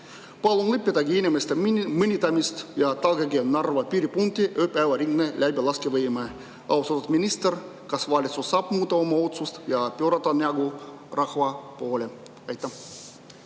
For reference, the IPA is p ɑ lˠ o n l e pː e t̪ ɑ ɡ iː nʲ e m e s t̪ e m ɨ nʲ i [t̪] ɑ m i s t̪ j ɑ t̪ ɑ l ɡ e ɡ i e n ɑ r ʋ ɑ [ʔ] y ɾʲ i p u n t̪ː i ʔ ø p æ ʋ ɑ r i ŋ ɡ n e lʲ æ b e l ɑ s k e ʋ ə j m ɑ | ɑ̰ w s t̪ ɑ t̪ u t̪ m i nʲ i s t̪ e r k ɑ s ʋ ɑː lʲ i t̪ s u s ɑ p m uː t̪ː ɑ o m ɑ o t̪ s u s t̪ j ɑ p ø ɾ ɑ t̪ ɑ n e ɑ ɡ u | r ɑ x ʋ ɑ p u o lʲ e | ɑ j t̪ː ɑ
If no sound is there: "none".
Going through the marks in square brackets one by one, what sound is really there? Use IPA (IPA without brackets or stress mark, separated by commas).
t̪, p